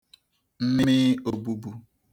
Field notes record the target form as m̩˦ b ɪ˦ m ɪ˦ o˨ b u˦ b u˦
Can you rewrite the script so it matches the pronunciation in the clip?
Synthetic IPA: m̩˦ m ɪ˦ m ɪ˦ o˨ b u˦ b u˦